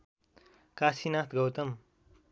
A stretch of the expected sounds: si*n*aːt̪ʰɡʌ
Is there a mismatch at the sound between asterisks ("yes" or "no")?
no